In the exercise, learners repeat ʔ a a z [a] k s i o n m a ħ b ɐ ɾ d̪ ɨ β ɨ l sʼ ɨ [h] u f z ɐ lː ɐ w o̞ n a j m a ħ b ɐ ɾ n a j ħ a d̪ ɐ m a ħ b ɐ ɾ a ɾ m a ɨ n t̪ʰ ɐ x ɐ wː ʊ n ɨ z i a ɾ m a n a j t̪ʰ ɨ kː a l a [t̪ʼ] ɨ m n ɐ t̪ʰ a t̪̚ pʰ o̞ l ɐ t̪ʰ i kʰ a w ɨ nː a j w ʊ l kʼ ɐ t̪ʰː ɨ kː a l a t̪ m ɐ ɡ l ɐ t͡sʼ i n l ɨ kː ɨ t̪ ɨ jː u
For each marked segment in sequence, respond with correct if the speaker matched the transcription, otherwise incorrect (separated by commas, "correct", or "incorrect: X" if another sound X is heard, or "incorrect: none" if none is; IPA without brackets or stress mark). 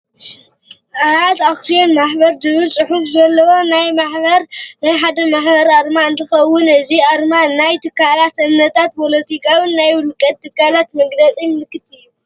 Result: correct, incorrect: ħ, incorrect: t̪